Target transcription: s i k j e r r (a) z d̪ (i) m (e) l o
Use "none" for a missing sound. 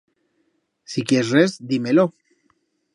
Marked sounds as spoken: e, i, e

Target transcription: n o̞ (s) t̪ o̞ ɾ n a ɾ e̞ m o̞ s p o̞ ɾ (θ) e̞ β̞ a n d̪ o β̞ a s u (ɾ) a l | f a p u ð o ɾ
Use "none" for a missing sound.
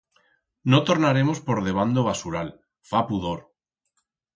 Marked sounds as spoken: none, ð, ɾ

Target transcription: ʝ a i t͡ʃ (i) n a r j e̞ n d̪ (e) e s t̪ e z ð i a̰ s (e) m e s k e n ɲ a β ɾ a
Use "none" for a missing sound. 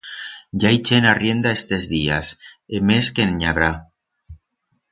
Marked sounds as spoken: e, a, e

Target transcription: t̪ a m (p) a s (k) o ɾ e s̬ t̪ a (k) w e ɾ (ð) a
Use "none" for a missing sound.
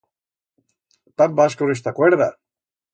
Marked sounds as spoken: b, k, k, ð

